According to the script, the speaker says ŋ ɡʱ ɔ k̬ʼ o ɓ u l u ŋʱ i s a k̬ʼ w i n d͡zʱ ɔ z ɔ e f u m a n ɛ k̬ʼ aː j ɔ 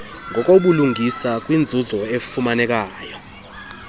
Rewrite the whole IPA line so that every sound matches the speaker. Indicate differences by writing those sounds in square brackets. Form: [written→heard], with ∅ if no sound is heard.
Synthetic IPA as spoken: ŋ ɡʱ ɔ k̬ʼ o ɓ u l u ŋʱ i s a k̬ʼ w i n d͡zʱ [ɔ→u] z ɔ e f u m a n ɛ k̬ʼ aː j ɔ